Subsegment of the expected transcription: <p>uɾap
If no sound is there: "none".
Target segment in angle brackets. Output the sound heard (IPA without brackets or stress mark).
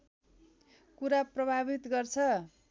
k